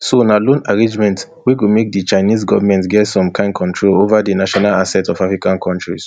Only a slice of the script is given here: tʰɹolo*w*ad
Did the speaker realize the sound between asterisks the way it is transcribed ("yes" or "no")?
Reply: no